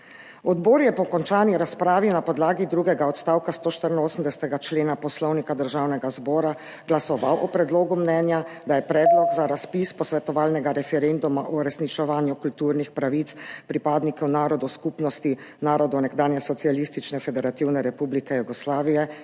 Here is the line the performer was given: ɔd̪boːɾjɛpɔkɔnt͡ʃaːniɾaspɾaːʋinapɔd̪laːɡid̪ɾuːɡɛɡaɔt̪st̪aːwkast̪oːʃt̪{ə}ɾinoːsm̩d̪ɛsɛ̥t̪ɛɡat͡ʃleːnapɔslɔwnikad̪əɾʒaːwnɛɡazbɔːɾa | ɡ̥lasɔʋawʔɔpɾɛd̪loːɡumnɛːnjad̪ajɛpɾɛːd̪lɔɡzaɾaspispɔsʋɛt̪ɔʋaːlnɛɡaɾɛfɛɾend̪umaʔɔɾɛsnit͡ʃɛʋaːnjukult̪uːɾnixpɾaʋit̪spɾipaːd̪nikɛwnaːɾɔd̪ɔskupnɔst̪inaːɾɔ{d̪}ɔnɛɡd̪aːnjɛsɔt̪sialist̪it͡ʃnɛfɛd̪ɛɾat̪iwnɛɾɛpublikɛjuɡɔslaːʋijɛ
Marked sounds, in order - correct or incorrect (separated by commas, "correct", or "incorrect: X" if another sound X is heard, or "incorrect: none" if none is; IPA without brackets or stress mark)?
correct, correct